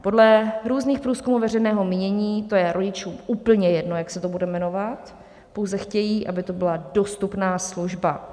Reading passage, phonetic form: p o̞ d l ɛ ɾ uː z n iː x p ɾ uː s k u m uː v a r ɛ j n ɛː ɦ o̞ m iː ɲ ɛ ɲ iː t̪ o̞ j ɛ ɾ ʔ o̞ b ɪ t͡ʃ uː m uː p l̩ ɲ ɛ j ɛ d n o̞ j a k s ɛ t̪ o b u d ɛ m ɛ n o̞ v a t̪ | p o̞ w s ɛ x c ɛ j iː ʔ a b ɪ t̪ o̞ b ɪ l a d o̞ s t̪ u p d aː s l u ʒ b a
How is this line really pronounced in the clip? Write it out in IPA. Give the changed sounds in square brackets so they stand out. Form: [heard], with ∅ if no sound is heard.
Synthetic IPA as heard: p o̞ d l ɛ ɾ uː z n iː x p ɾ uː s k u m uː v [ɛ] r ɛ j n ɛː ɦ o̞ m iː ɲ ɛ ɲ iː t̪ o̞ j ɛ ɾ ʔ o̞ [ɟ] ɪ t͡ʃ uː m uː p l̩ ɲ ɛ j ɛ d n o̞ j a k s ɛ t̪ o b u d ɛ m ɛ n o̞ v a t̪ | p o̞ w [z] ɛ x c ɛ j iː ʔ a b ɪ t̪ o̞ b ɪ l a d o̞ s t̪ u p [n] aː s l u ʒ b a